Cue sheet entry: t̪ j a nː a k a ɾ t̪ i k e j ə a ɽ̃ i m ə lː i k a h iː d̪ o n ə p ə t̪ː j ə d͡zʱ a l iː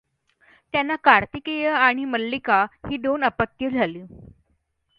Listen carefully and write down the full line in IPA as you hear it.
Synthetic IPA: t̪ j a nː a k a ɾ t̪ i k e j ə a ɽ̃ i m ə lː i k a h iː d̪ o n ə p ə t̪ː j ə d͡zʱ a l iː